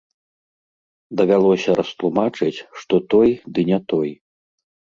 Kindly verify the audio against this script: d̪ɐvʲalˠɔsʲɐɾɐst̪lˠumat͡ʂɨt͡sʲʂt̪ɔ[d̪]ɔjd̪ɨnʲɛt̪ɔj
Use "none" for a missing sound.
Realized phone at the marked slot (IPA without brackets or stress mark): t̪